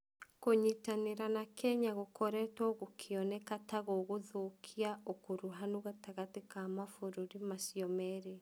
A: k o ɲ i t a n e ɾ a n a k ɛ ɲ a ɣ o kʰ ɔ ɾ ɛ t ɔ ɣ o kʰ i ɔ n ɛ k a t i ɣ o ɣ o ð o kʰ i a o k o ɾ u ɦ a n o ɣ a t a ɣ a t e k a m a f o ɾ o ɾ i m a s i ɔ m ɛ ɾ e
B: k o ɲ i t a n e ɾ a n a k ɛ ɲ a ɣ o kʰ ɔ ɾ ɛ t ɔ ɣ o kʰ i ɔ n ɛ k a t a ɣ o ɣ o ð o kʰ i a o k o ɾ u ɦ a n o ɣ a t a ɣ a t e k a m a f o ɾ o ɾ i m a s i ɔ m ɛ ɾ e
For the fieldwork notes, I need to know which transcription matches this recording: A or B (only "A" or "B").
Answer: B